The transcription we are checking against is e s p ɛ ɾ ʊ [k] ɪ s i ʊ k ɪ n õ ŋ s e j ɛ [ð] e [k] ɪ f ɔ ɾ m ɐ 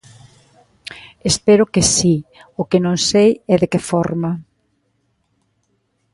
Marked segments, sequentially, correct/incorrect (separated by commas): correct, correct, correct